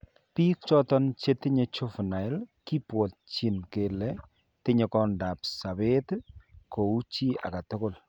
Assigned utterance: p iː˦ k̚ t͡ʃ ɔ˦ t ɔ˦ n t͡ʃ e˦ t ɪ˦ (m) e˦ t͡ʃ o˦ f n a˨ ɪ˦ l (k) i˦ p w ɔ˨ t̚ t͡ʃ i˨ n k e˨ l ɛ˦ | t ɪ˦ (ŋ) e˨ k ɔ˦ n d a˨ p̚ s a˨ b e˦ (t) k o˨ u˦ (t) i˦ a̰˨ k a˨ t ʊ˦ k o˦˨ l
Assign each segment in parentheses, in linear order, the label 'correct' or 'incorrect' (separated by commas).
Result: incorrect, correct, incorrect, correct, incorrect